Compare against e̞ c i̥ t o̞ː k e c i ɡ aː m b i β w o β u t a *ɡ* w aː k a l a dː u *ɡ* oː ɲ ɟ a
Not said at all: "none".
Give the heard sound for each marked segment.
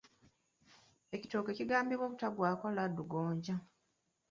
ɡ, ɡ

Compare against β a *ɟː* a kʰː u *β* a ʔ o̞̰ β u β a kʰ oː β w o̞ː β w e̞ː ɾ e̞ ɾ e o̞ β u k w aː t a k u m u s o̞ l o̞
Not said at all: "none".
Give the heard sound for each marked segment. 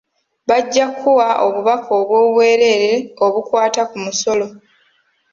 ɟː, w

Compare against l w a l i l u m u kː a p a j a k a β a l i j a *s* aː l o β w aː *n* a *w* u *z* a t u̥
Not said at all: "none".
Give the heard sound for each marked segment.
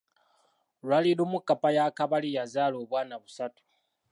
z, n, β, s

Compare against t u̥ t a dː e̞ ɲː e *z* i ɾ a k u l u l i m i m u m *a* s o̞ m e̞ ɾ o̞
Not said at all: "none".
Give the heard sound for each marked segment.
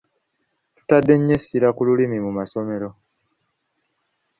s, a

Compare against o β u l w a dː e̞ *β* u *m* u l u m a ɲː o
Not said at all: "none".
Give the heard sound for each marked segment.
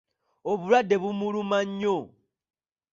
β, m

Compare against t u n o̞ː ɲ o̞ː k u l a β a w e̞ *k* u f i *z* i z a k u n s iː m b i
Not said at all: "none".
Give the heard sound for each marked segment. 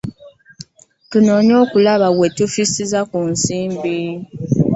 t, s

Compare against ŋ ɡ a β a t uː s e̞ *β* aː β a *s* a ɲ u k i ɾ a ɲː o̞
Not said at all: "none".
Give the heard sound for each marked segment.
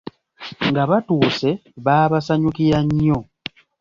β, s

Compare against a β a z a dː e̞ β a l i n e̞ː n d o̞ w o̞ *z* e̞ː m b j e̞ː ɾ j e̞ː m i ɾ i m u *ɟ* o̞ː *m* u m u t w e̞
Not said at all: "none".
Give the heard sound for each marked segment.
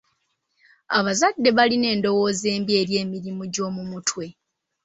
z, ɟ, m

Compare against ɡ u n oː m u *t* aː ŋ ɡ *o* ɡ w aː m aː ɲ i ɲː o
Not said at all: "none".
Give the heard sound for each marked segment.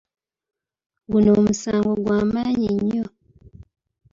s, o

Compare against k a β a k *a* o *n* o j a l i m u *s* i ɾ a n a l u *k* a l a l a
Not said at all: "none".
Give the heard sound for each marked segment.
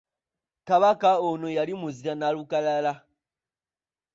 a, n, z, k

